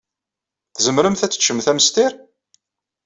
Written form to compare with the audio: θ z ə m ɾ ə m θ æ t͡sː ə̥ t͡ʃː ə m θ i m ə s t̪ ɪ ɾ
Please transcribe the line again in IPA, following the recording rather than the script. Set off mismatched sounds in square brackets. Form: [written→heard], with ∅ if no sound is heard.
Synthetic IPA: θ z ə m ɾ ə m θ æ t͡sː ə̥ t͡ʃː ə m θ [i→æ] m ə s t̪ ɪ ɾ